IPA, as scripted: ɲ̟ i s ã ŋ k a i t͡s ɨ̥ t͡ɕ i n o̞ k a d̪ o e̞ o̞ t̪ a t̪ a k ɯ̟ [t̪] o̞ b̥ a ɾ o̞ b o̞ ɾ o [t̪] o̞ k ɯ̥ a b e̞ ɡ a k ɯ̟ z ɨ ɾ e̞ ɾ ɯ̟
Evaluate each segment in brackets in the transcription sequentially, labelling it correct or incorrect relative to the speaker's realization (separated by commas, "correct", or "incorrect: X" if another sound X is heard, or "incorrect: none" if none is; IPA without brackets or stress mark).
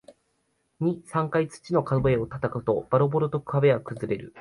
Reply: correct, correct